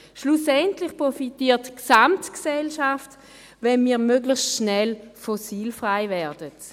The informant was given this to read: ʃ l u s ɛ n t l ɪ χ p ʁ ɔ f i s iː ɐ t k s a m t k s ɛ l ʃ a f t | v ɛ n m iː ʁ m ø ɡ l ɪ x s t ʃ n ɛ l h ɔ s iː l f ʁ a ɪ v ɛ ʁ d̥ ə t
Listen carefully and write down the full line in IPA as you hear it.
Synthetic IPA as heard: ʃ l u s ɛ n t l ɪ χ p ʁ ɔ f i t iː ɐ t k s a m t k s ɛ l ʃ a f t | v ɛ n m iː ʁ m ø ɡ l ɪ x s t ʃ n ɛ l f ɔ s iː l f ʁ a ɪ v ɛ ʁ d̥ ə t